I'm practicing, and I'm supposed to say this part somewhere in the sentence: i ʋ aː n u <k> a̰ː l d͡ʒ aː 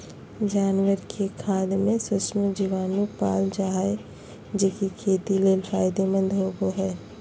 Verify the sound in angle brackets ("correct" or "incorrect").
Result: incorrect